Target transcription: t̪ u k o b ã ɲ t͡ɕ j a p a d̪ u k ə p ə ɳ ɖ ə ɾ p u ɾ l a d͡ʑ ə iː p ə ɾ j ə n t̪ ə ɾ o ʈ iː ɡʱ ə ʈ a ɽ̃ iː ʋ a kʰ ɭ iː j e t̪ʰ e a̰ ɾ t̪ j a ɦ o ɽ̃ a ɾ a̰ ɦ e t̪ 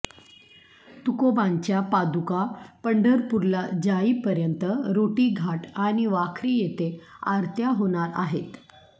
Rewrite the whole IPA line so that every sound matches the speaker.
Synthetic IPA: t̪ u k o b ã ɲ t͡ɕ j a p a d̪ u k a p ə ɳ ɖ ə ɾ p u ɾ l a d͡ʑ a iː p ə ɾ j ə n t̪ ə ɾ o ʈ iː ɡʱ a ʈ a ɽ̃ i ʋ a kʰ ɾ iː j e t̪ e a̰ ɾ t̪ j a ɦ o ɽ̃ a ɾ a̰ ɦ e t̪

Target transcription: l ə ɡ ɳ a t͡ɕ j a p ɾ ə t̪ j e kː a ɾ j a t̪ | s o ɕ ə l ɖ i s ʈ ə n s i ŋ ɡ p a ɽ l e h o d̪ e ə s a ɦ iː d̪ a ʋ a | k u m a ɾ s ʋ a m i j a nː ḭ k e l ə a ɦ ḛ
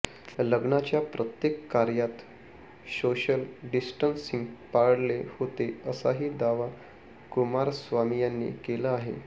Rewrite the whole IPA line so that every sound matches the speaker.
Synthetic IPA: l ə ɡ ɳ a t͡ɕ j a p ɾ ə t̪ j e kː a ɾ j a t̪ | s o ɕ ə l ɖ i s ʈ ə n s i ŋ ɡ p a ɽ l e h o t̪ e ə s a ɦ iː d̪ a ʋ a | k u m a ɾ s ʋ a m i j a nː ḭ k e l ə a ɦ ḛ

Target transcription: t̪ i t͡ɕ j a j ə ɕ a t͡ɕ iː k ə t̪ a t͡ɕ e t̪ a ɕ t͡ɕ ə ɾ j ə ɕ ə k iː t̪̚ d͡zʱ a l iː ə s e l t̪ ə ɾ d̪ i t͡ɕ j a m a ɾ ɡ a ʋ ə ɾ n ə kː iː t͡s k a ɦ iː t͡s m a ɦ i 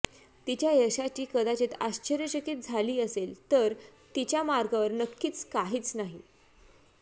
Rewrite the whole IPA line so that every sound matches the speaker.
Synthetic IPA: t̪ i t͡ɕ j a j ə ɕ a t͡ɕ iː k ə d̪ a t͡ɕ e t̪ a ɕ t͡ɕ ə ɾ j ə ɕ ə k iː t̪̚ d͡zʱ a l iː ə s e l t̪ ə ɾ t̪ i t͡ɕ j a m a ɾ ɡ a ʋ ə ɾ n ə kː iː t͡s k a ɦ iː t͡s n a ɦ i

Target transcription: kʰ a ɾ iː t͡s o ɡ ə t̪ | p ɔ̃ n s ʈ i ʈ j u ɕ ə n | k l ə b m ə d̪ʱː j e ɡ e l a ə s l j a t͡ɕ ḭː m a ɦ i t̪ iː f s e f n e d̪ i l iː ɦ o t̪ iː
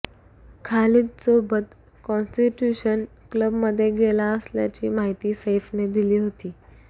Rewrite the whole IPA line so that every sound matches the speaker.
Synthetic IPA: kʰ a l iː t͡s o b ə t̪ | k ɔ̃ n s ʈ i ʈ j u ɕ ə n | k l ə b m ə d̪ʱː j e ɡ e l a ə s l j a t͡ɕ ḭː m a ɦ i t̪ iː s e f n e d̪ i l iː ɦ o t̪ iː

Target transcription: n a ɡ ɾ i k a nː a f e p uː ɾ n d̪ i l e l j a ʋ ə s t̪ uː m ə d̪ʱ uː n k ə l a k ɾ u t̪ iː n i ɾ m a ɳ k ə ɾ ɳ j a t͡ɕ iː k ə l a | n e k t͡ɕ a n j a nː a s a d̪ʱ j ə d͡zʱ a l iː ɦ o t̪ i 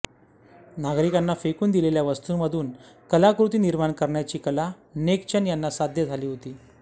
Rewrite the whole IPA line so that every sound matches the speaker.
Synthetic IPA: n a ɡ ɾ i k a nː a f e k uː n d̪ i l e l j a ʋ ə s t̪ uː m ə d̪ʱ uː n k ə l a k ɾ u t̪ iː n i ɾ m a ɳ k ə ɾ ɳ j a t͡ɕ iː k ə l a | n e k t͡ɕ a n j a nː a s a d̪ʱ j ə d͡zʱ a l iː ɦ o t̪ iː

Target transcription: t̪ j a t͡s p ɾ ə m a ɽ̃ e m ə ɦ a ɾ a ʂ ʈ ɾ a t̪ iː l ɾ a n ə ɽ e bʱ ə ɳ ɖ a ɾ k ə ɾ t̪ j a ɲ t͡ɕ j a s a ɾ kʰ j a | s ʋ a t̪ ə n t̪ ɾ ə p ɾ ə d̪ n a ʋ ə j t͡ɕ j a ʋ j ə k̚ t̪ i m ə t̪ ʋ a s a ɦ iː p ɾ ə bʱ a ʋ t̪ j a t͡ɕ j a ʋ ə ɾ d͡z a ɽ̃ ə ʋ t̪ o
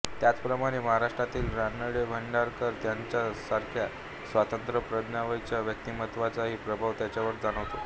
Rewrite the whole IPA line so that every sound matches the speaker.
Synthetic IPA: t̪ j a t͡s p ɾ ə m a ɽ̃ e m ə ɦ a ɾ a ʂ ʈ ɾ a t̪ iː l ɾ a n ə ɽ e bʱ ə ɳ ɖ a ɾ k ə ɾ t̪ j a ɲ t͡ɕ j a s a ɾ kʰ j a | s ʋ a t̪ ə n t̪ ɾ ə p ɾ ə d̪ n a ʋ ə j t͡ɕ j a ʋ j ə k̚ t̪ i m ə t̪ ʋ a t͡s a ɦ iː p ɾ ə bʱ a ʋ t̪ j a t͡ɕ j a ʋ ə ɾ d͡z a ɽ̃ ə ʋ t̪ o

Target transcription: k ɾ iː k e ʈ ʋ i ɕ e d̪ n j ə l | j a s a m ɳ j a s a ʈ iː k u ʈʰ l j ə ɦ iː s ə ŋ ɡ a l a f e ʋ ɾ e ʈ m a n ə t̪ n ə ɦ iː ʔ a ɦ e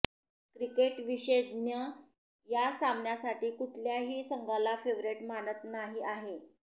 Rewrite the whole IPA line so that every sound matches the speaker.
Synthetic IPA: k ɾ i k e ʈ ʋ i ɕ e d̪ n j ə | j a s a m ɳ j a s a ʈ iː k u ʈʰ l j a ɦ iː s ə ŋ ɡ a l a f e ʋ ɾ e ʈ m a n ə t̪ n a ɦ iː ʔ a ɦ e

